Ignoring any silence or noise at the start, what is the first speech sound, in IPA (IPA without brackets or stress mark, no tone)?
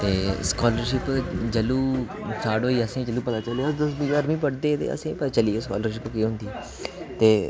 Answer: t̪